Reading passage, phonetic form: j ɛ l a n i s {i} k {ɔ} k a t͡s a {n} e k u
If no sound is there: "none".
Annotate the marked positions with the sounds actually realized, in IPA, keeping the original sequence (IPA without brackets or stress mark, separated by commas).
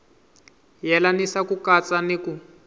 a, u, n